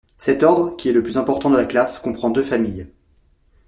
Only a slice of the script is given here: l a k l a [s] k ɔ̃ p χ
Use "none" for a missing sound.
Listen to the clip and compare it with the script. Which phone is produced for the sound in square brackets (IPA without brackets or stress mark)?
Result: s